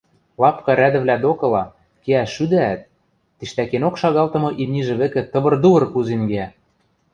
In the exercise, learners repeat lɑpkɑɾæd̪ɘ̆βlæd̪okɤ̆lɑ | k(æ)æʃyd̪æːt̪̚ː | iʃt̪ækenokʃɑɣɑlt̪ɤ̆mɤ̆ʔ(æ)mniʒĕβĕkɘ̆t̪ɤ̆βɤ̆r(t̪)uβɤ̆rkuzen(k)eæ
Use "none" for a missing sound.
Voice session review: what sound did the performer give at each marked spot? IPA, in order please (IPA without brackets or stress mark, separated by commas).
e, i, d̪, ɡ